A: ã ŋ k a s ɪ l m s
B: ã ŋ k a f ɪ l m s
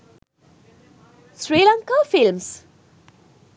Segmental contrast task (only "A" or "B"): B